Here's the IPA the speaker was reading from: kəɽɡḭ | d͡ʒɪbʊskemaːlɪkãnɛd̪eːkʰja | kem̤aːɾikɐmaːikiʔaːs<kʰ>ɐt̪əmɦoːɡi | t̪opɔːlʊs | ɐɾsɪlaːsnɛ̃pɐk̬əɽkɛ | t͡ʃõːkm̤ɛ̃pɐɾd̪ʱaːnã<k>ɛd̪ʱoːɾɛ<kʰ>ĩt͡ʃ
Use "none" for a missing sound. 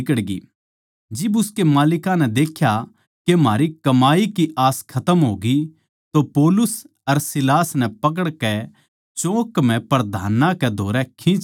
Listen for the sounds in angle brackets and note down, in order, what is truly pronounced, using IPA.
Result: kʰ, k, kʰ

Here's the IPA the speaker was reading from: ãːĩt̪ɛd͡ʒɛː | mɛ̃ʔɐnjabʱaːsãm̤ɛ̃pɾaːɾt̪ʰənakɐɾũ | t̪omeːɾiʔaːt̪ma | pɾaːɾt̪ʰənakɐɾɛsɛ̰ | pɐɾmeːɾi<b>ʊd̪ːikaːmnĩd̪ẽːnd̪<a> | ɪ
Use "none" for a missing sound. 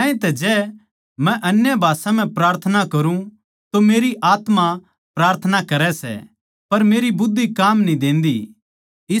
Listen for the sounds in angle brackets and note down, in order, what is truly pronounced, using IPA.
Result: b, i

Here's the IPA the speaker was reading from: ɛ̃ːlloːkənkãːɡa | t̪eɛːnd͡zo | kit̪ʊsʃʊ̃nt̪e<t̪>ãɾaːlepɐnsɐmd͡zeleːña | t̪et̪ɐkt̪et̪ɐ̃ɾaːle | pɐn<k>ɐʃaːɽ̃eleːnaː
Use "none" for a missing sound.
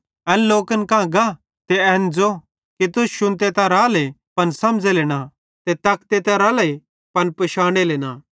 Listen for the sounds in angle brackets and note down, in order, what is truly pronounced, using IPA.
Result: t̪, p

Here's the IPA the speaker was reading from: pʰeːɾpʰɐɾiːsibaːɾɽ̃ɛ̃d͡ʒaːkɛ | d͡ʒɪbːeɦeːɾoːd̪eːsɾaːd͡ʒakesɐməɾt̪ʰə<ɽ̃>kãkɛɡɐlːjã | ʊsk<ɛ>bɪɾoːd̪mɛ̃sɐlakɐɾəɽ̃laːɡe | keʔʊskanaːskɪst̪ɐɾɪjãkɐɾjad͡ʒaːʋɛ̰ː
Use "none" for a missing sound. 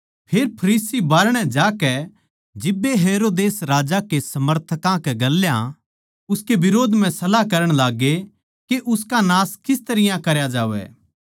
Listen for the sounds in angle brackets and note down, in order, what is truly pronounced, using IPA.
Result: none, e

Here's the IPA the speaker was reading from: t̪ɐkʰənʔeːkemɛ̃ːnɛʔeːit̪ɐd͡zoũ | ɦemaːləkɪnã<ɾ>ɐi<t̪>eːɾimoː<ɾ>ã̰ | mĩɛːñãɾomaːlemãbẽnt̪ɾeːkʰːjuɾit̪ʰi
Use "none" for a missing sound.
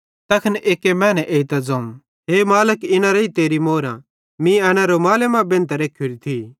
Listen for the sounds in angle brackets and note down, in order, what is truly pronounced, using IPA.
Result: ɾ, t̪, ɾ

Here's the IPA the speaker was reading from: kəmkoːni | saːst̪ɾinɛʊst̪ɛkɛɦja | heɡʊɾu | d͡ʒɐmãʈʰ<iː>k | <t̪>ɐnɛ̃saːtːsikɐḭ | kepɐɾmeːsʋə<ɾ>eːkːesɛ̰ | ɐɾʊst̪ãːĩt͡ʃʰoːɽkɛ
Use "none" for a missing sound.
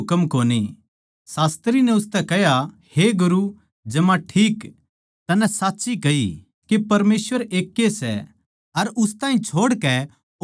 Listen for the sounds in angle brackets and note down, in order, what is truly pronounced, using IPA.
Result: iː, t̪, ɾ

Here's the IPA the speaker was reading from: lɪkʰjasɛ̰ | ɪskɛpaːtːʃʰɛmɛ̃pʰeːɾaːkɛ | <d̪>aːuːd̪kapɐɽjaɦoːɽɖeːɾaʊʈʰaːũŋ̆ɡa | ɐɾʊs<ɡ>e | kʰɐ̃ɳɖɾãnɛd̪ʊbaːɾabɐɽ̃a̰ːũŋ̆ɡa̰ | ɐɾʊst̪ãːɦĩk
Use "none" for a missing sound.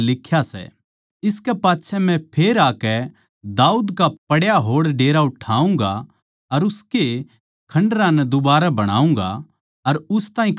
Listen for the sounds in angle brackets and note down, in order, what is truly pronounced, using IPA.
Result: d̪, k

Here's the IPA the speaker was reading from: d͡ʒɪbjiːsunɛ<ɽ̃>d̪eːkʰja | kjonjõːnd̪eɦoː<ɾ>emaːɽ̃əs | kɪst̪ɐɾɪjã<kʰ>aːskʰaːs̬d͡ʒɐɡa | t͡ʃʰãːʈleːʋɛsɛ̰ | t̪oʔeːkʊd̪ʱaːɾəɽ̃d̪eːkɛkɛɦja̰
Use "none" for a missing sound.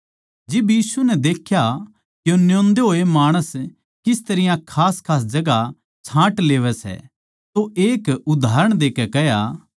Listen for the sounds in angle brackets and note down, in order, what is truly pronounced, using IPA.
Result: none, none, kʰ

